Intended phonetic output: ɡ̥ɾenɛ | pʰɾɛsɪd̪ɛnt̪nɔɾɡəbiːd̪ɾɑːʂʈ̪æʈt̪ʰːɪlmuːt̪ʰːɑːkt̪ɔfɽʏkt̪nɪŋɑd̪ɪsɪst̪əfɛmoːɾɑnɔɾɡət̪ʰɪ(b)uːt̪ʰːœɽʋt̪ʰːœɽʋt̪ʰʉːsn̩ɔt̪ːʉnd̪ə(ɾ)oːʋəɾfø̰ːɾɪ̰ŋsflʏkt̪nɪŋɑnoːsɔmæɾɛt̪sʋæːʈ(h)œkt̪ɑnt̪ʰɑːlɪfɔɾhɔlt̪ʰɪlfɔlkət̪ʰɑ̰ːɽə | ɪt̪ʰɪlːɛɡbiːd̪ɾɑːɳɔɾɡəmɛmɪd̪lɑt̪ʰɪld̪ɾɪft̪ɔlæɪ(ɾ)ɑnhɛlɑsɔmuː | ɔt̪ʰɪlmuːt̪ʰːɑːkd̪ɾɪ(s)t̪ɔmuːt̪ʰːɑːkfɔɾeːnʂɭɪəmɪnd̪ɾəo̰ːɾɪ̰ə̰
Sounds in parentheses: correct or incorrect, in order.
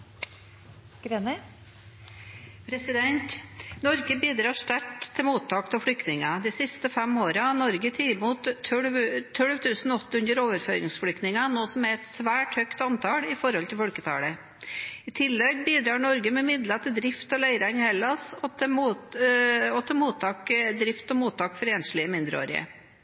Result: incorrect, correct, correct, correct, incorrect

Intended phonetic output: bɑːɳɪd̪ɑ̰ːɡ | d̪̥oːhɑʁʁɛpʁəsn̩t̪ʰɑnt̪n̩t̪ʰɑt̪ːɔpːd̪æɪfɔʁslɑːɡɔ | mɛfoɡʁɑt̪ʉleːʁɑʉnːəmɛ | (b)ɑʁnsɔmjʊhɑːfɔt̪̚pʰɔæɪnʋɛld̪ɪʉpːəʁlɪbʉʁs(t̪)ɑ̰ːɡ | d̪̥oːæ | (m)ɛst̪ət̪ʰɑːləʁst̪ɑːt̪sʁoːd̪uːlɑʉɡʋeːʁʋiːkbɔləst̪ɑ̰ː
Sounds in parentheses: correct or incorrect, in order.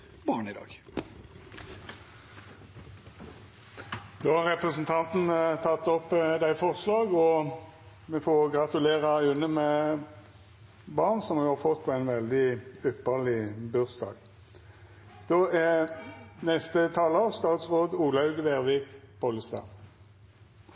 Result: correct, incorrect, incorrect

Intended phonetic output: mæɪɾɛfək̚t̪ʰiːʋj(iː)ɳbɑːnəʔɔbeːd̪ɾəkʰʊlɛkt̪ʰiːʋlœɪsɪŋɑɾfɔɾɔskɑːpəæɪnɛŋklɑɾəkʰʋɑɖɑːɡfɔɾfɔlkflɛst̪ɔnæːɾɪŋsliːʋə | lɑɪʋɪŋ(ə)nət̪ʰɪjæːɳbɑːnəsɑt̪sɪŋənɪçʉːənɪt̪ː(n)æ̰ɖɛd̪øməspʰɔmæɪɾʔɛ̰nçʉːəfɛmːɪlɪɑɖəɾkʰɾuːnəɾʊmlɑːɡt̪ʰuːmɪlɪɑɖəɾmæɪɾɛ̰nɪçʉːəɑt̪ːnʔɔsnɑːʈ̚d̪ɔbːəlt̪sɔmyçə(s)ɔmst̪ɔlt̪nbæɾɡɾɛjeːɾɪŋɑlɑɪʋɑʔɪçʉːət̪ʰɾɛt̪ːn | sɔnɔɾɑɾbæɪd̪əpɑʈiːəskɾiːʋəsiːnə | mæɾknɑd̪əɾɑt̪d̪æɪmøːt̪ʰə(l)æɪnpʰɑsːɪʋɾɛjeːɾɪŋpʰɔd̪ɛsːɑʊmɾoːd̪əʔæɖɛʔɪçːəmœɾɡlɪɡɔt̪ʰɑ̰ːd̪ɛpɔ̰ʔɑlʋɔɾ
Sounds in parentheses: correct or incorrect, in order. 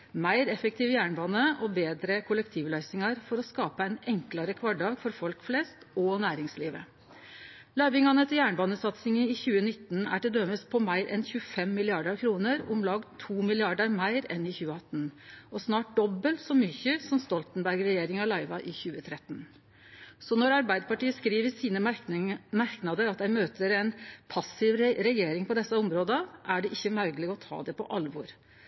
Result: incorrect, incorrect, correct, correct, incorrect

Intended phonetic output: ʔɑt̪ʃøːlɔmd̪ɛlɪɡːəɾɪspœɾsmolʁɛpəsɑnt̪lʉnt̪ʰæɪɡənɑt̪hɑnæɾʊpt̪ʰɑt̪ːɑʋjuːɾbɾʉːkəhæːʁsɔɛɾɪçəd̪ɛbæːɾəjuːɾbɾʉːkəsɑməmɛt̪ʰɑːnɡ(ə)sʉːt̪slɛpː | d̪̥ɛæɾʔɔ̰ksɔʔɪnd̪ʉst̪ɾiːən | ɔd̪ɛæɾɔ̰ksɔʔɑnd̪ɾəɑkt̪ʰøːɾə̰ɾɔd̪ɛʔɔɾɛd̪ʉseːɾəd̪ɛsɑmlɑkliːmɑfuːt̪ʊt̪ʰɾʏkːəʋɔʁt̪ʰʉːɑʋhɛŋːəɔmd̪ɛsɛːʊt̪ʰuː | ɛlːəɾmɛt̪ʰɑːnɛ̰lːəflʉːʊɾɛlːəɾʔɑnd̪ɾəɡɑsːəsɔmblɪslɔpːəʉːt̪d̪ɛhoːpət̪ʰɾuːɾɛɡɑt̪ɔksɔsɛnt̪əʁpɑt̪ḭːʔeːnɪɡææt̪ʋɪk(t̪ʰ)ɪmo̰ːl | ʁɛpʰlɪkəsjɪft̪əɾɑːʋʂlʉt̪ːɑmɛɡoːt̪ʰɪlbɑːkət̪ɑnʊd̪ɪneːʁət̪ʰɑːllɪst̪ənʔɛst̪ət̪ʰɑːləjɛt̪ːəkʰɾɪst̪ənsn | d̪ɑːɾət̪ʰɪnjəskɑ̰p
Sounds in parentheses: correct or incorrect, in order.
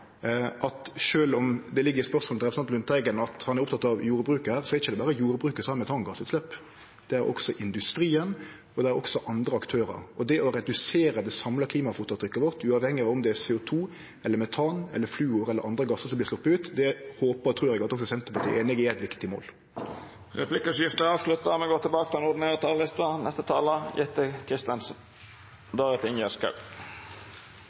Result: incorrect, incorrect

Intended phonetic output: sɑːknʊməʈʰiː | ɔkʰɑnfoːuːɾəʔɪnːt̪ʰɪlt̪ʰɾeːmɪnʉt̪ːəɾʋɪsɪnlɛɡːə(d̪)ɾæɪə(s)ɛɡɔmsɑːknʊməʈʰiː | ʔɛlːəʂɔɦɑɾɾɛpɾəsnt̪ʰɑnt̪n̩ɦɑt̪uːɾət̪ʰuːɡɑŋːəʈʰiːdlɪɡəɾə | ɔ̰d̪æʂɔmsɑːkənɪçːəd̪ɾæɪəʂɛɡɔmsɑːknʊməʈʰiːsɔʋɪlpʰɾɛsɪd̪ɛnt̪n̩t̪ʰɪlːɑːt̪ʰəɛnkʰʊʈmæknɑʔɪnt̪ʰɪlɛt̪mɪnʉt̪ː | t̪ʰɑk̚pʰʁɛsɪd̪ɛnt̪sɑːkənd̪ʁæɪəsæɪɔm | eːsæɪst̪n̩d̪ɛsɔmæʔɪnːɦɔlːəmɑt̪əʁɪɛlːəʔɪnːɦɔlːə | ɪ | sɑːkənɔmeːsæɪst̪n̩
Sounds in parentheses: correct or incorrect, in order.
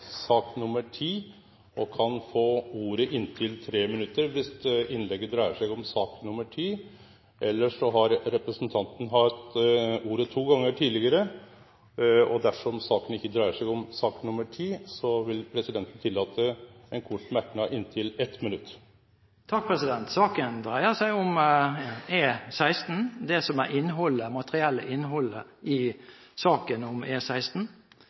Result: correct, incorrect

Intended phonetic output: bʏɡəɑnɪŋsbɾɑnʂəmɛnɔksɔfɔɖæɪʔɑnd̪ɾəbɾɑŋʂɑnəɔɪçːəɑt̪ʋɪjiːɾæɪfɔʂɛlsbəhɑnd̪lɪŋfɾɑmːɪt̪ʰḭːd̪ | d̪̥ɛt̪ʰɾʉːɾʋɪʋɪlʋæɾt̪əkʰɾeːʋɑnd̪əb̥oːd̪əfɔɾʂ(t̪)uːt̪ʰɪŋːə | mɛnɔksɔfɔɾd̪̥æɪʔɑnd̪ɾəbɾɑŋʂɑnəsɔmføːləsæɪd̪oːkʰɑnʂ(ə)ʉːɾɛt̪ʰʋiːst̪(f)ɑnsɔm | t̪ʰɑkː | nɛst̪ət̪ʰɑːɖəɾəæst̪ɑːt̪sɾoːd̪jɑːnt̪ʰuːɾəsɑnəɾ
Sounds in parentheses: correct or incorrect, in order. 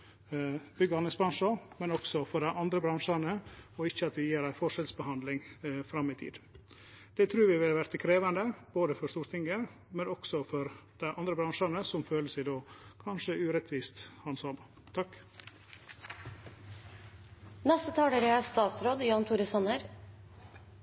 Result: correct, correct, incorrect

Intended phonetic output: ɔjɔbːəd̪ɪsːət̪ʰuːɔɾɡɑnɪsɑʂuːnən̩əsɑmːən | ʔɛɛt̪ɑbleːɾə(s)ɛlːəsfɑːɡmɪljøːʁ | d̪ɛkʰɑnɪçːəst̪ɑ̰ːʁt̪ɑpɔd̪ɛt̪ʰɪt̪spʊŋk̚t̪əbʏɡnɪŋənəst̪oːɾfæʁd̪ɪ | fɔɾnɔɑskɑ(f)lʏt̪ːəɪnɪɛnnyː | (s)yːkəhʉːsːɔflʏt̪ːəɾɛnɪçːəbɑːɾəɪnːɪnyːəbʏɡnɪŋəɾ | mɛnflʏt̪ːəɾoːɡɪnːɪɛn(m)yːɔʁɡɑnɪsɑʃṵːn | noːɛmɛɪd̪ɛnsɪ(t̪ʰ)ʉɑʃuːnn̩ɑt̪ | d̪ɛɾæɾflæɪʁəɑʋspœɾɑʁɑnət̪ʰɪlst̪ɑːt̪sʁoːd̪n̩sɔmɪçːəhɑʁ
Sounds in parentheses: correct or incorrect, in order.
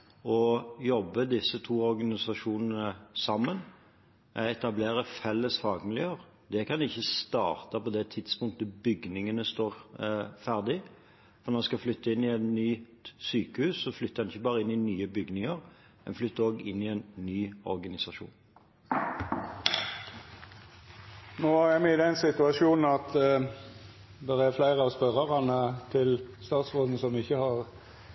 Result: incorrect, correct, correct, incorrect, incorrect

